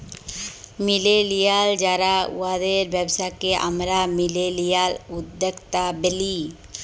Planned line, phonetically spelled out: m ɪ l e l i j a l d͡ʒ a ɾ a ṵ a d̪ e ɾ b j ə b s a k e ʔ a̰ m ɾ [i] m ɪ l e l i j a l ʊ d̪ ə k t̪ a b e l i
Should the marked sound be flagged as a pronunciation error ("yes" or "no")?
yes